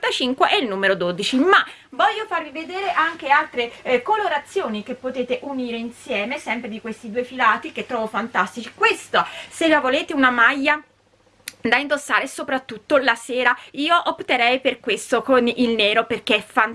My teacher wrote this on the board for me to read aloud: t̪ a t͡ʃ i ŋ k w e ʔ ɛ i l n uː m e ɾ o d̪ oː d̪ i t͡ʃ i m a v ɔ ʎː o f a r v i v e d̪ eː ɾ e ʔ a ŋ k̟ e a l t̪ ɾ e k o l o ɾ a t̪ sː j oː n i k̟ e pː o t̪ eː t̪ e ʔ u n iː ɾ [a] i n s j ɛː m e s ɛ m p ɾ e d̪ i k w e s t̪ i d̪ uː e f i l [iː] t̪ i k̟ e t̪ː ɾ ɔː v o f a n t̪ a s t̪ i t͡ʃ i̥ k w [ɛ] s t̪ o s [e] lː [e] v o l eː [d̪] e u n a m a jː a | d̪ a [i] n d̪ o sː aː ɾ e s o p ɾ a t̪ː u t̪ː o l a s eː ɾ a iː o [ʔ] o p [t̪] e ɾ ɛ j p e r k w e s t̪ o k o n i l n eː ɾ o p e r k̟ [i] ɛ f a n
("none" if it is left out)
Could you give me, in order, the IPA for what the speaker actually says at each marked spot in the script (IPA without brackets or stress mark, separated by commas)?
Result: e, aː, e, e, a, t̪, i, ʔ, t̪, e